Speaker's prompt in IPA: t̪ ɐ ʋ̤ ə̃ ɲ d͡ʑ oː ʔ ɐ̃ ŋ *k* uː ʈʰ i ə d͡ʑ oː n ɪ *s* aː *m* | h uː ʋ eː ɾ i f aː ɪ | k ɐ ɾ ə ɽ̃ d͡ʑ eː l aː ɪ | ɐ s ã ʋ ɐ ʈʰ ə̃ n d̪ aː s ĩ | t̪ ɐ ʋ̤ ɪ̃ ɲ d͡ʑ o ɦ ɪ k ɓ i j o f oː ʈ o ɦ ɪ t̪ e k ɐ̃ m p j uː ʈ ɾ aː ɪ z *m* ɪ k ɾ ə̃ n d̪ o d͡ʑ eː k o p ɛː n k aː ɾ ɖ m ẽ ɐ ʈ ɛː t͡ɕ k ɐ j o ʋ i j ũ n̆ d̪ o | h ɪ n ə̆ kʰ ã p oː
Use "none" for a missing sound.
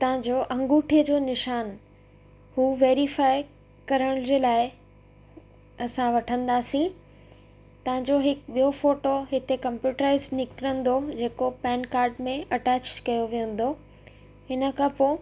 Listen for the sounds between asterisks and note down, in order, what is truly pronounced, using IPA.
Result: ɡ, ʃ, n, n

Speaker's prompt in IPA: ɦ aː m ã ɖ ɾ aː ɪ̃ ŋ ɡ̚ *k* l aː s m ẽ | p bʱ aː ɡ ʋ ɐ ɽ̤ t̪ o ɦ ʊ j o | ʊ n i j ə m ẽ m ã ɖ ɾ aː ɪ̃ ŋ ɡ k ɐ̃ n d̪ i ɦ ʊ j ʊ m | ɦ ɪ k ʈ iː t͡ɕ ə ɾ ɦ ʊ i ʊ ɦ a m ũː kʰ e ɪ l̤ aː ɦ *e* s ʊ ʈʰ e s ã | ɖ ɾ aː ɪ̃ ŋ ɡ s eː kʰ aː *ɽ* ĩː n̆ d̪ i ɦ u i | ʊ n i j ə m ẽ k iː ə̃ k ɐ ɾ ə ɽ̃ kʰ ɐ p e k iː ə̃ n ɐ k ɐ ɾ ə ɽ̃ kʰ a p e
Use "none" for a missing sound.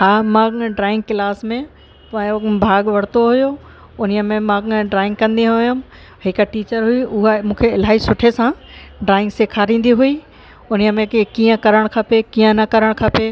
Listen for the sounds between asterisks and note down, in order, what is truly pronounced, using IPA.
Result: k, i, ɾ

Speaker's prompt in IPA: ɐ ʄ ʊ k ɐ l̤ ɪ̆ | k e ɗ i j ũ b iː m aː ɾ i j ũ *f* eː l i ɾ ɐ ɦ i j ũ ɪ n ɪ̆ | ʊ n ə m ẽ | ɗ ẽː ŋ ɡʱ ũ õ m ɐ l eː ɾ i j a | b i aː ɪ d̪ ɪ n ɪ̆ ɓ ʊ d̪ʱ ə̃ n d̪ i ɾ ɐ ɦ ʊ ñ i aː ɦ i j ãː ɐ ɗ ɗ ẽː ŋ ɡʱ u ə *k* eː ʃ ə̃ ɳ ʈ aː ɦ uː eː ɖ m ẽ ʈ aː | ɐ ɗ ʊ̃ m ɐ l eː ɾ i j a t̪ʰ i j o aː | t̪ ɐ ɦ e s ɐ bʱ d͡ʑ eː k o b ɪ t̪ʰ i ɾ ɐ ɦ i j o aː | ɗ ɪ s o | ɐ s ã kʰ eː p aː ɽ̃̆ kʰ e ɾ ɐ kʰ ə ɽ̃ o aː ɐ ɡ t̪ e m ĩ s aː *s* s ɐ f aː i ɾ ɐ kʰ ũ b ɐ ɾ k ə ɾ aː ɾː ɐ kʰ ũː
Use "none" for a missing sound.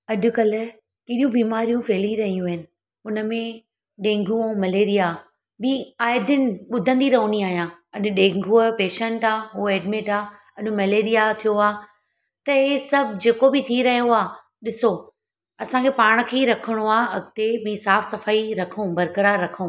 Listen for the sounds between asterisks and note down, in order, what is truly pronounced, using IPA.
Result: f, p, f

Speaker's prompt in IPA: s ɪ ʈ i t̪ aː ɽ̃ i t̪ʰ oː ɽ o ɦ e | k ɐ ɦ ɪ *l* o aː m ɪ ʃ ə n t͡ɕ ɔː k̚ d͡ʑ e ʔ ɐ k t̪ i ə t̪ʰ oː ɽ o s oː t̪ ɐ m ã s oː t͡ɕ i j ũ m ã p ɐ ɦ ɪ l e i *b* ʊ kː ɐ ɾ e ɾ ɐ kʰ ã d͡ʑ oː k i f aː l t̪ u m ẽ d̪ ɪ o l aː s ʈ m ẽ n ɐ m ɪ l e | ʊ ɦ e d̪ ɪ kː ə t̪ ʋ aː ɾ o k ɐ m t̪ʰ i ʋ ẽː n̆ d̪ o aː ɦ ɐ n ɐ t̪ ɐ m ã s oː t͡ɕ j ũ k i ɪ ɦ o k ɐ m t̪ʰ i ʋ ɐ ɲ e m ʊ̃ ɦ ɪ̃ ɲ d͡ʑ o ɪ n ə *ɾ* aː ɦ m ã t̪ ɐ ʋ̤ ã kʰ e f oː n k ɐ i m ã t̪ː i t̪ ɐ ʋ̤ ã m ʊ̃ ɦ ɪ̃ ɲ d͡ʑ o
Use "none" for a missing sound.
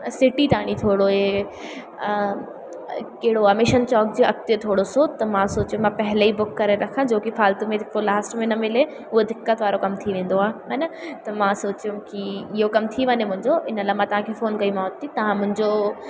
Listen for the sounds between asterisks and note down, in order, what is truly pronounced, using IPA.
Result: ɽ, b, l

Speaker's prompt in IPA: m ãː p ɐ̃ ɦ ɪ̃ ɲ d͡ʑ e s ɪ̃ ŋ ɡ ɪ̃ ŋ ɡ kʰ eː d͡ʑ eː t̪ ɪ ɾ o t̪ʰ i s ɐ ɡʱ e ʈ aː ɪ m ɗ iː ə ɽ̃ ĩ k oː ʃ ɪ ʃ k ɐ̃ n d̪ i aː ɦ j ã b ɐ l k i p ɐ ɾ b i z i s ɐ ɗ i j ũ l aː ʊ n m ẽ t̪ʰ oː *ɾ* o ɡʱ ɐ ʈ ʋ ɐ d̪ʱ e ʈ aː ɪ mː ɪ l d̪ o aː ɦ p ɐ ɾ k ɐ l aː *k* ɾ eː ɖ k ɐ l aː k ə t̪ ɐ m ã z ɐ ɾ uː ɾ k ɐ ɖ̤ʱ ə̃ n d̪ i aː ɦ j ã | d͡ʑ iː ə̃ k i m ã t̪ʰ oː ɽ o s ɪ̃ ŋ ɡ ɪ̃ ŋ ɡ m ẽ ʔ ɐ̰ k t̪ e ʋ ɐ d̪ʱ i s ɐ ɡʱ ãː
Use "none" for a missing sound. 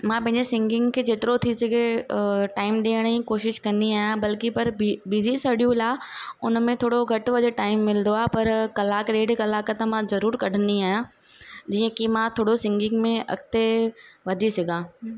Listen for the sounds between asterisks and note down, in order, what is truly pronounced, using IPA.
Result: ɽ, k

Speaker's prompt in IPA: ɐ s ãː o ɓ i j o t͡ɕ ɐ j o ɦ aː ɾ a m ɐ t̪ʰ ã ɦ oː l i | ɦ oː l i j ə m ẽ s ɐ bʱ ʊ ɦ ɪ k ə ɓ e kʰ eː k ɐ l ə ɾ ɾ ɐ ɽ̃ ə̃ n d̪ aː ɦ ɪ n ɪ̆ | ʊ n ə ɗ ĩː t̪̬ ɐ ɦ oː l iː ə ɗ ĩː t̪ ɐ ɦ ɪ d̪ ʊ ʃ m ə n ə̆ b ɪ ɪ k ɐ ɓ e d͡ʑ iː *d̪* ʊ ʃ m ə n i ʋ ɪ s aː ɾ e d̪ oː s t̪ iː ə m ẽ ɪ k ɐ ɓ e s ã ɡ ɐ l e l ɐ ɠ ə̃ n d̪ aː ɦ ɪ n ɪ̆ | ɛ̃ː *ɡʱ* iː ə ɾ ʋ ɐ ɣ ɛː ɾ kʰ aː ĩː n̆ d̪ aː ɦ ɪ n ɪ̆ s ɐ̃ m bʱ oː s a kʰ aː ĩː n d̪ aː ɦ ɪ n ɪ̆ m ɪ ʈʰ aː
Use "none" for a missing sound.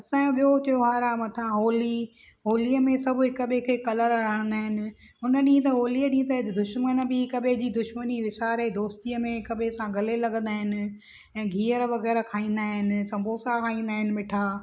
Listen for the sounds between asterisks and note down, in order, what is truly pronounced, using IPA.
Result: d̪, ɡʱ

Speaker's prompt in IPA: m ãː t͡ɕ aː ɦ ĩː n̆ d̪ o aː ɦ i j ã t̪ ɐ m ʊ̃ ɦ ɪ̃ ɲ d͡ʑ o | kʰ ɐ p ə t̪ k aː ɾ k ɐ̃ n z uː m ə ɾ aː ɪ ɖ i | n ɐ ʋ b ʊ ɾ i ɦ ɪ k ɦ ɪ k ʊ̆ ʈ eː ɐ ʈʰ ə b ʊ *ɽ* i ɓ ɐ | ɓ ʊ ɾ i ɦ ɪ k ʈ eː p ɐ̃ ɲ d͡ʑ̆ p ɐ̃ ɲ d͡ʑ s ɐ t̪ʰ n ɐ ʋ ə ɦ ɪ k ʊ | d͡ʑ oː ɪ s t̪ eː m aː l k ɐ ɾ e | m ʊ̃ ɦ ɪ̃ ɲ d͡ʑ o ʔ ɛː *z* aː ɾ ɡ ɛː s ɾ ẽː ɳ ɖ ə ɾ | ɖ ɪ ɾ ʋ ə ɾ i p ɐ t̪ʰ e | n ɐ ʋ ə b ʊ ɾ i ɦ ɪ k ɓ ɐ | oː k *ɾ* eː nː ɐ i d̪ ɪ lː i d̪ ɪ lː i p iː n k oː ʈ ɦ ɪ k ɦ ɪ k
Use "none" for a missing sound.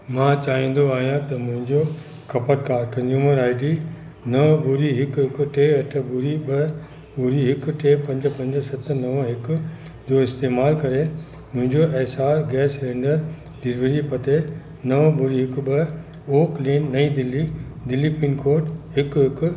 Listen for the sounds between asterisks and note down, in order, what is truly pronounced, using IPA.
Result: ɾ, s, l

